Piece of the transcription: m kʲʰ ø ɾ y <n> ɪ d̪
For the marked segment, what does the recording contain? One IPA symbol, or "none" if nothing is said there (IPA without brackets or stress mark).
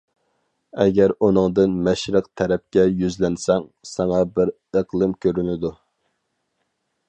n